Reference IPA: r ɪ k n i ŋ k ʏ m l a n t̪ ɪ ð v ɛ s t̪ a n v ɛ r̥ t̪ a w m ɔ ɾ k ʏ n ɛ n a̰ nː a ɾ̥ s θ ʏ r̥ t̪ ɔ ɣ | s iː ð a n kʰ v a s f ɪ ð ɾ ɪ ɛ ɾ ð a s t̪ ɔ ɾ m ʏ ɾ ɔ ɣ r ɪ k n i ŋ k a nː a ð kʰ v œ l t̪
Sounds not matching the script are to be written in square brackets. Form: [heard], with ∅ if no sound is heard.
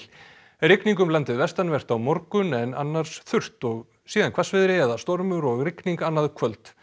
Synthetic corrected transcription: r ɪ k n i ŋ k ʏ m l a n t̪ ɪ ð v ɛ s t̪ a n v ɛ r̥ t̪ a w m ɔ ɾ k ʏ n ɛ n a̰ nː a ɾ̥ s θ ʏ r̥ t̪ ɔ ɣ | s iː ð a n kʰ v a s [v] ɪ ð ɾ ɪ ɛ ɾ ð a s t̪ ɔ ɾ m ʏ ɾ ɔ ɣ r ɪ k n i ŋ k a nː a ð kʰ v œ l t̪